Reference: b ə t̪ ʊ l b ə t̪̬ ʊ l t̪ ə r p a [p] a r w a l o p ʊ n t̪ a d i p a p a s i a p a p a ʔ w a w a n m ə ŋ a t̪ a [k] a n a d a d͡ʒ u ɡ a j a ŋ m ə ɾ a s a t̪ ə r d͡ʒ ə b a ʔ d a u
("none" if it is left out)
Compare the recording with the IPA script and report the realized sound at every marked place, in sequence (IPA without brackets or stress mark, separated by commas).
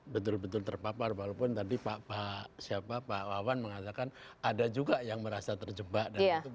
p, k